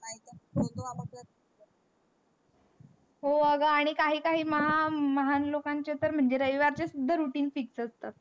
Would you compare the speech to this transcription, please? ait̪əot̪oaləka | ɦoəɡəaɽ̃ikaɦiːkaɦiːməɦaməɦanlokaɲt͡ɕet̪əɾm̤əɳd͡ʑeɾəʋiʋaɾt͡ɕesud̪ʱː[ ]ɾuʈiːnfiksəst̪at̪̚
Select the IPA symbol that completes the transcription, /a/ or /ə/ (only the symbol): ə